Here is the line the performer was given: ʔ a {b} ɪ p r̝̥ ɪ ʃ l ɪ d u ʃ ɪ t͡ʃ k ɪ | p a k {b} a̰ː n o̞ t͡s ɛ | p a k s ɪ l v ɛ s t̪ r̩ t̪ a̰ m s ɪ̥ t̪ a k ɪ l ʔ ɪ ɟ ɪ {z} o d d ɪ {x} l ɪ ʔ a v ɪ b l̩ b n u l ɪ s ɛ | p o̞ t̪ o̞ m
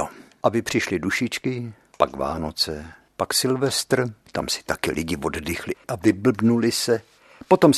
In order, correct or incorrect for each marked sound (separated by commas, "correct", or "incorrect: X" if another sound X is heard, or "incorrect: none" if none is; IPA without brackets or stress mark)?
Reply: correct, incorrect: v, incorrect: v, correct